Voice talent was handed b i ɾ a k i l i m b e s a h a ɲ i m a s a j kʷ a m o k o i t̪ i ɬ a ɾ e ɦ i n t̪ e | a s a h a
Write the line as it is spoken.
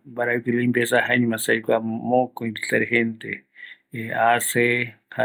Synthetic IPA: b a ɾ a k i l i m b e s a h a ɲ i m a s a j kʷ a m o k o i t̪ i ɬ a ɾ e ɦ e n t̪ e | a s e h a